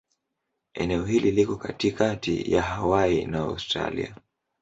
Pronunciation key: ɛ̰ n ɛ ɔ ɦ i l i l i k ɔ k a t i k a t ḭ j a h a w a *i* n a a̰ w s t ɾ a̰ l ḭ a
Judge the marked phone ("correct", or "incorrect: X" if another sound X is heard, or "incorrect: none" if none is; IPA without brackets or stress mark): correct